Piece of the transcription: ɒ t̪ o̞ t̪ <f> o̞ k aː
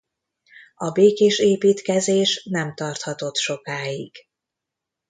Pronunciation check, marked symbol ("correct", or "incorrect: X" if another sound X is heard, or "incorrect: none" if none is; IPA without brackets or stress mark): incorrect: ʃ